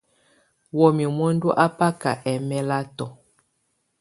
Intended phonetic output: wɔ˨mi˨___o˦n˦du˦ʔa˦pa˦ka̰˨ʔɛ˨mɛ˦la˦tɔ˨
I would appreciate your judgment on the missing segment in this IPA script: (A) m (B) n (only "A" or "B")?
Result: A